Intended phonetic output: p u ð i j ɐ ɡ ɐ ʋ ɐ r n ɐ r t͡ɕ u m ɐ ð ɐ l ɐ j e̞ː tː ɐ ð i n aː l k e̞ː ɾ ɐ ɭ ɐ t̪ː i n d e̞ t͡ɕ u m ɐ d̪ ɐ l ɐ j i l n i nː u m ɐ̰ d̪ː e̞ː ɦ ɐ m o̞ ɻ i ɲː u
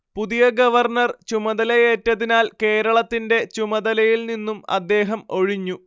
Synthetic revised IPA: p u ð i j ɐ ɡ ɐ ʋ ɐ r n ɐ r t͡ɕ u m ɐ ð ɐ l ɐ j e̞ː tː ɐ ð i n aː l k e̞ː ɾ ɐ ɭ ɐ t̪ː i n d e̞ t͡ɕ u m ɐ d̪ ɐ l ɐ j i l n i nː u m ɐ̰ d̪ː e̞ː ɦ ɐ m o̞ ɻ i ɲː u